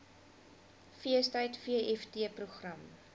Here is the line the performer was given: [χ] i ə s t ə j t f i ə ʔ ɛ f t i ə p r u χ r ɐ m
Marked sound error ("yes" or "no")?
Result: yes